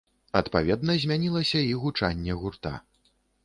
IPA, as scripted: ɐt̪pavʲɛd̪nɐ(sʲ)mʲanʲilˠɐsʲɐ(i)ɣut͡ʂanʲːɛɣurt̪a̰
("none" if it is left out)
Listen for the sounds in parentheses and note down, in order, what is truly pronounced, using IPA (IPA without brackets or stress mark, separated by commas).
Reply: zʲ, i